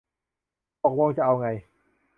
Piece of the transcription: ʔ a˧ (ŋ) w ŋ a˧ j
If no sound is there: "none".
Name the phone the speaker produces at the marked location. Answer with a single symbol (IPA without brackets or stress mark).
none